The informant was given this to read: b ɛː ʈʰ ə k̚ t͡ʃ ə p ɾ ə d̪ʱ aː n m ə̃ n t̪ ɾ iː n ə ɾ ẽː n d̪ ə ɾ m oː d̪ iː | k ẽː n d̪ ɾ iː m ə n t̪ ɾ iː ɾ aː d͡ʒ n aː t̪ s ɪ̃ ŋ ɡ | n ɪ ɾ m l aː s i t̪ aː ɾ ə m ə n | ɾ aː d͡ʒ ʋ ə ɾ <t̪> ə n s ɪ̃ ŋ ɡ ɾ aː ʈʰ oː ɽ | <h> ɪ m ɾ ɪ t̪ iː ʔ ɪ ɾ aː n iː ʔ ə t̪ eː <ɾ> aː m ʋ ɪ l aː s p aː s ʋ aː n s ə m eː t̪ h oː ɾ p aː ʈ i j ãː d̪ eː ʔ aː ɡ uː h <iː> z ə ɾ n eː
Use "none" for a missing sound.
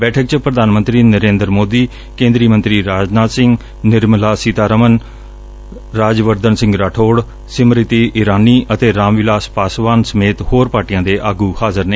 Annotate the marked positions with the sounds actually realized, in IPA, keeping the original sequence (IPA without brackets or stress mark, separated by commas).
d̪, s, ɾ, aː